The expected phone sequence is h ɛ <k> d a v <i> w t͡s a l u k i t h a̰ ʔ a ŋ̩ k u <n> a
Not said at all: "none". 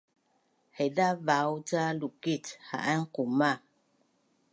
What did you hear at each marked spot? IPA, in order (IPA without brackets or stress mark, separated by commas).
none, a, m